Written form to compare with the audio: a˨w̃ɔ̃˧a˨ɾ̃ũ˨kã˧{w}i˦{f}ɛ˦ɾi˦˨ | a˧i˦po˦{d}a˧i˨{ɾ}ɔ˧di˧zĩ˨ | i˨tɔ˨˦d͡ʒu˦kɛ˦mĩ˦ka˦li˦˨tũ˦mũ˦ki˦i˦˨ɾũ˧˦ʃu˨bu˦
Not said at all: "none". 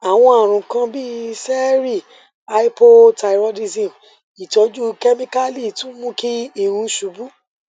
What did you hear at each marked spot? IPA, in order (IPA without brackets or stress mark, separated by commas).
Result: b, s, t, ɾ